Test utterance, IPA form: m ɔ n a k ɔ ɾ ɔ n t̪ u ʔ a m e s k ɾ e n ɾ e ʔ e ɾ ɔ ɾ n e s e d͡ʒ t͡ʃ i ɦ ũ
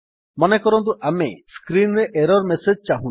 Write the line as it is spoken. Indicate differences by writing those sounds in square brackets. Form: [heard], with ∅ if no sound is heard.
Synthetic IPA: m ɔ n [e] k ɔ ɾ ɔ n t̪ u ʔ a m e s k ɾ [i] n ɾ e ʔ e ɾ ɔ ɾ [m] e s e d͡ʒ t͡ʃ [a] ɦ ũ